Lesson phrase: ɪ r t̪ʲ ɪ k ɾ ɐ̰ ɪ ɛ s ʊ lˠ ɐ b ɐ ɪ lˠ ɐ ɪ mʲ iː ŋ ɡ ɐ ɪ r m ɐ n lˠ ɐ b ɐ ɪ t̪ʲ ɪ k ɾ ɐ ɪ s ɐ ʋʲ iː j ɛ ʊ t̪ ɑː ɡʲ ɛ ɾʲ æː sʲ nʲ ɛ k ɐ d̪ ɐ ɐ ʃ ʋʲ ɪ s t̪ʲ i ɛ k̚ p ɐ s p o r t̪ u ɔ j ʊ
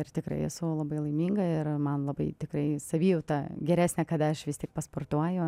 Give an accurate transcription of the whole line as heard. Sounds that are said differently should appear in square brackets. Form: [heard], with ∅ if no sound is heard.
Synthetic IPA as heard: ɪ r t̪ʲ ɪ k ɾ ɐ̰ ɪ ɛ s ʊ lˠ ɐ b ɐ ɪ lˠ ɐ ɪ mʲ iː ŋ ɡ ɐ ɪ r m ɐ n lˠ ɐ b ɐ ɪ t̪ʲ ɪ k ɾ ɐ ɪ s ɐ ʋʲ iː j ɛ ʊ t̪ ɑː ɡʲ ɛ ɾʲ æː sʲ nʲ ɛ k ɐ d̪ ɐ ɐ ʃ ʋʲ ɪ s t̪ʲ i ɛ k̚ p ɐ s p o r t̪ u ɔ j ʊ

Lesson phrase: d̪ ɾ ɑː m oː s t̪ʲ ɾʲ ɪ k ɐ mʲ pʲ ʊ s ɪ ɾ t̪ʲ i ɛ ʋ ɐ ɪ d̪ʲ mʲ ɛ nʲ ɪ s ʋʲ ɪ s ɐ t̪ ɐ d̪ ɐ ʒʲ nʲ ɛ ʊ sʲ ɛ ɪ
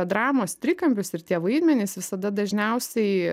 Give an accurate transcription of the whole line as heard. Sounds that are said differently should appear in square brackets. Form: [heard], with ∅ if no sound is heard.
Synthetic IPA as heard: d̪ ɾ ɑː m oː s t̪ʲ ɾʲ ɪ k ɐ mʲ pʲ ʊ s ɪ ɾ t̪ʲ i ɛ ʋ ɐ ɪ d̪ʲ mʲ ɛ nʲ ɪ s ʋʲ ɪ s ɐ [d̪] ɐ d̪ ɐ ʒʲ nʲ ɛ ʊ sʲ ɛ ɪ

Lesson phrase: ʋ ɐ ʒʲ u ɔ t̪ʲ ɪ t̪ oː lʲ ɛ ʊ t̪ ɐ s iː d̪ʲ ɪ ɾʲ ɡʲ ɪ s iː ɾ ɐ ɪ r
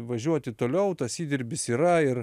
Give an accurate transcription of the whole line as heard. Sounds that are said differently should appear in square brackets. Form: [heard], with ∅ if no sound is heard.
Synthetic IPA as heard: ʋ ɐ ʒʲ u ɔ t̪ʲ ɪ t̪ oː lʲ ɛ ʊ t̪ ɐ s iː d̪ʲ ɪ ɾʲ [bʲ] ɪ s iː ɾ ɐ ɪ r

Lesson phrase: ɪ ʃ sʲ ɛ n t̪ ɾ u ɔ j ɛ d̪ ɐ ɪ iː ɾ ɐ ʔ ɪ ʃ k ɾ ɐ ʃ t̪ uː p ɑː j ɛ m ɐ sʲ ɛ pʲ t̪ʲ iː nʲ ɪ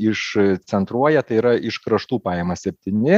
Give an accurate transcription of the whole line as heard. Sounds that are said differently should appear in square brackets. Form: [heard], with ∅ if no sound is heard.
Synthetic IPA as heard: ɪ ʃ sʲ ɛ n t̪ ɾ u ɔ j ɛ [t̪] ɐ ɪ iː ɾ ɐ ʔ ɪ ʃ k ɾ ɐ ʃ t̪ uː p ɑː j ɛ m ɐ sʲ ɛ pʲ t̪ʲ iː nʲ ɪ

